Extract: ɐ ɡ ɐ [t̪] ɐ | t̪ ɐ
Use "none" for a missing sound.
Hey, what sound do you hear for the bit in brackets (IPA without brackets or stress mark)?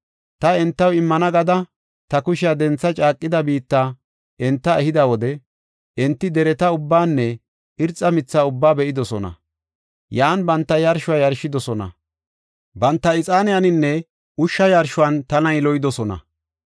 d̪